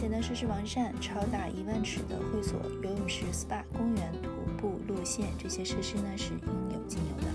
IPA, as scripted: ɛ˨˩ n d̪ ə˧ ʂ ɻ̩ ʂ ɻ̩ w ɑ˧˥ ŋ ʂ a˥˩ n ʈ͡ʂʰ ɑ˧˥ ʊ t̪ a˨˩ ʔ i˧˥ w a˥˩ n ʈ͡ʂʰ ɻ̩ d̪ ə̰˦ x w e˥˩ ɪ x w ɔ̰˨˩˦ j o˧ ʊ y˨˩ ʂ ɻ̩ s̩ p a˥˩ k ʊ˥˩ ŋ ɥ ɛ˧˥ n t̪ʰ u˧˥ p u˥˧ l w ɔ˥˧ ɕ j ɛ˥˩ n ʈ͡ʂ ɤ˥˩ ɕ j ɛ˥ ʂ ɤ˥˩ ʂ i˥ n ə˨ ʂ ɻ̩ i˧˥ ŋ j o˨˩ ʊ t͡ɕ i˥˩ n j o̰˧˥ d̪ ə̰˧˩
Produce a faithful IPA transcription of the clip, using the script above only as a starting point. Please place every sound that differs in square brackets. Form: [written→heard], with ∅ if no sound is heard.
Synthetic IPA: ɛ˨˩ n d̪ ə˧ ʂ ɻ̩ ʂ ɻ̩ w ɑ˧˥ ŋ ʂ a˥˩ n ʈ͡ʂʰ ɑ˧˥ ʊ t̪ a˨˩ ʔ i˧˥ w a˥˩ n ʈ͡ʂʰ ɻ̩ d̪ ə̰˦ x w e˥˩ ɪ [x→s] w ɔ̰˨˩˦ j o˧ ʊ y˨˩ ʂ ɻ̩ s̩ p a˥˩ k [ʊ˥˩→ʊ˥] ŋ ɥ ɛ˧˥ n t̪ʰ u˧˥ p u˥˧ l w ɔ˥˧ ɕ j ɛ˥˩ n ʈ͡ʂ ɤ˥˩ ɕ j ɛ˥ ʂ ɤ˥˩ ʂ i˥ n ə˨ ʂ ɻ̩ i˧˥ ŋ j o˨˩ ʊ t͡ɕ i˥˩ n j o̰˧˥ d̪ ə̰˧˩